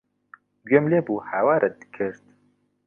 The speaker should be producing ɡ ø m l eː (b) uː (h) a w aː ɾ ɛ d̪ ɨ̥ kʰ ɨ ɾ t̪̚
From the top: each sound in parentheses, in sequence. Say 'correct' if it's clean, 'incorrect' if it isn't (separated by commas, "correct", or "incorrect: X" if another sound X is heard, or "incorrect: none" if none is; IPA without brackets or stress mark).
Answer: correct, correct